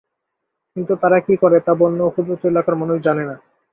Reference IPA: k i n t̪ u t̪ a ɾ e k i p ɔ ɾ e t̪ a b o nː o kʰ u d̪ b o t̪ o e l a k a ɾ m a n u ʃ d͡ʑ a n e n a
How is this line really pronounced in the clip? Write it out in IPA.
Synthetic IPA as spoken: k i n t̪ u t̪ a ɾ a k i k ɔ ɾ e t̪ a b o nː o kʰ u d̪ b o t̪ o e l a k a ɾ m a n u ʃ d͡ʑ a n e n a